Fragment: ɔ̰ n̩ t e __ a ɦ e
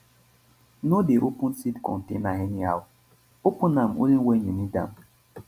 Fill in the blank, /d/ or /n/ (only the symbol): n